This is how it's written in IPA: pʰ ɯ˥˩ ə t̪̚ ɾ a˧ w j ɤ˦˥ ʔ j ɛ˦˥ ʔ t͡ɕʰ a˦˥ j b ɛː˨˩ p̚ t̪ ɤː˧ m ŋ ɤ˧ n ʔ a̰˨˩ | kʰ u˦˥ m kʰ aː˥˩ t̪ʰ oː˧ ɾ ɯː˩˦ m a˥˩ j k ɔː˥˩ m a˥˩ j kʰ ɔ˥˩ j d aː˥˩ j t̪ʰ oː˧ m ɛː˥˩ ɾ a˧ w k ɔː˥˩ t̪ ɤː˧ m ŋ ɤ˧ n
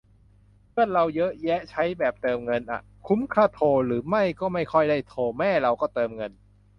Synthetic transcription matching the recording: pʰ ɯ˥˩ ə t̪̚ ɾ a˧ w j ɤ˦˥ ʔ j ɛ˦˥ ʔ t͡ɕʰ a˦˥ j b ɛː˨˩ p̚ t̪ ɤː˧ m ŋ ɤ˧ n ʔ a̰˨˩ | kʰ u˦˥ m kʰ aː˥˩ t̪ʰ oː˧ ɾ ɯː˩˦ m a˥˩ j k ɔː˥˩ m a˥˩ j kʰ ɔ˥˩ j d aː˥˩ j t̪ʰ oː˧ m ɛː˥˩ ɾ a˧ w k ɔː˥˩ t̪ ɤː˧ m ŋ ɤ˧ n